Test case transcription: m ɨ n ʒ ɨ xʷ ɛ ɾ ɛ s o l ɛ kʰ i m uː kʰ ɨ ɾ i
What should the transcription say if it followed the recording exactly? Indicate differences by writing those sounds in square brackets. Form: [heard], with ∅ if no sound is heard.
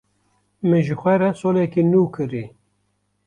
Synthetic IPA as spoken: m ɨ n ʒ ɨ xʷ ɛ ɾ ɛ s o l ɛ [k] i [n] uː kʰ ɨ ɾ i

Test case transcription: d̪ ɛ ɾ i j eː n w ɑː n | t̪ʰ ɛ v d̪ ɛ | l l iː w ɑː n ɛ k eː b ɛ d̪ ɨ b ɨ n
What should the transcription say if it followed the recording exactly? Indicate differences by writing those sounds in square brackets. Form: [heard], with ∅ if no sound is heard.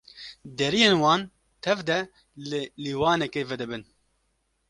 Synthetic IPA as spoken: d̪ ɛ ɾ i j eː n w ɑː n | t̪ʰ ɛ v d̪ ɛ | l l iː w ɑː n ɛ k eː [v] ɛ d̪ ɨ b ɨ n

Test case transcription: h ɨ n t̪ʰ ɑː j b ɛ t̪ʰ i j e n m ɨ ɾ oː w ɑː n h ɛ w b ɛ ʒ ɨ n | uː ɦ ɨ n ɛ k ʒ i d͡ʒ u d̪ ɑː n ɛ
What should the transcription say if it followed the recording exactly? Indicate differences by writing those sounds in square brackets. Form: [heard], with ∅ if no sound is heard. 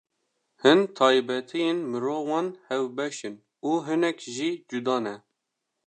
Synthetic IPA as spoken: h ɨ n t̪ʰ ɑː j b ɛ t̪ʰ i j e n m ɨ ɾ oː w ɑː n h ɛ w b ɛ [ʃ] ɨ n | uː ɦ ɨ n ɛ k ʒ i d͡ʒ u d̪ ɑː n ɛ

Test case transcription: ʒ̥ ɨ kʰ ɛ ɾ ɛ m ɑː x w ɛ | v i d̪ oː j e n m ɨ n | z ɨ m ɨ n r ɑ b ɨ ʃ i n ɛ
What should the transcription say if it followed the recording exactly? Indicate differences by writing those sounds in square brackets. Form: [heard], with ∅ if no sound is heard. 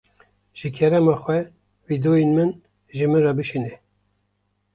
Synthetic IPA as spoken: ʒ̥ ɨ kʰ ɛ ɾ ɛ m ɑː x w ɛ | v i d̪ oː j e n m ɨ n | [ʒ] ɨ m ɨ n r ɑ b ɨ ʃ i n ɛ

